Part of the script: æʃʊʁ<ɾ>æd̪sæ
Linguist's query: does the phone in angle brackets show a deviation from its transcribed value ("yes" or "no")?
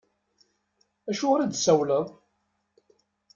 no